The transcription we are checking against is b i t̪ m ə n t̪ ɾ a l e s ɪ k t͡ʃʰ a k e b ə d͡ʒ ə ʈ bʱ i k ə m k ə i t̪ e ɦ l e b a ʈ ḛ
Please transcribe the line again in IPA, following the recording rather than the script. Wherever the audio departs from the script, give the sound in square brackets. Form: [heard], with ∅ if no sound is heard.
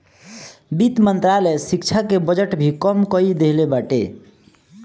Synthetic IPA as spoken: b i t̪ m ə n t̪ ɾ a l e s [i] k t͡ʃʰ a k e b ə d͡ʒ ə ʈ bʱ i k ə m k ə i [d̪] e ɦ l e b a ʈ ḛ